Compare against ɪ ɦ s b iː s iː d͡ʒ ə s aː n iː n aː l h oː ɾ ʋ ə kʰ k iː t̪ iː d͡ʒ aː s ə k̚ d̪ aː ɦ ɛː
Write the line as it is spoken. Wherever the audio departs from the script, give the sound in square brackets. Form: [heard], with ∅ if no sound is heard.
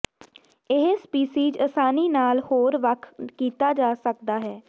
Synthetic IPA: ɪ ɦ s [p] iː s iː d͡ʒ ə s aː n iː n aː l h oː ɾ ʋ ə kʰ k iː t̪ [aː] d͡ʒ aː s ə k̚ d̪ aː ɦ ɛː